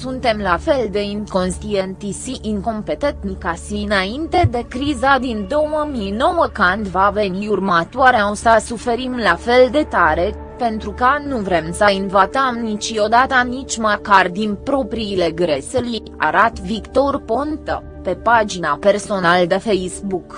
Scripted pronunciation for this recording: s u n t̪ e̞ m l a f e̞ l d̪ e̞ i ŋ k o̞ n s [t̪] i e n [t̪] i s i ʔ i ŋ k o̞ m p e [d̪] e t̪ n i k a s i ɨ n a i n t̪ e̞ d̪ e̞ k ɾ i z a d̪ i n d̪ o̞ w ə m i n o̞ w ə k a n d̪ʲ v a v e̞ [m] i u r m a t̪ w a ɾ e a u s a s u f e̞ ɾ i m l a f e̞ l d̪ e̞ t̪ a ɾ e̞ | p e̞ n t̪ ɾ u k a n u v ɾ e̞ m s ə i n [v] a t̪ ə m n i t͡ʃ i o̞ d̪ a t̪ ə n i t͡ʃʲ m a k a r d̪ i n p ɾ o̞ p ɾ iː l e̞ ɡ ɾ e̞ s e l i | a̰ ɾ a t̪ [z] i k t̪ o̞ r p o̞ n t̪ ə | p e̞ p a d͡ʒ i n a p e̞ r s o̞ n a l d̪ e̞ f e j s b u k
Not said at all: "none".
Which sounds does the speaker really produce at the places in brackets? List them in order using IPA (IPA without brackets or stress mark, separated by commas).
t̪, t̪, t̪, n, v, v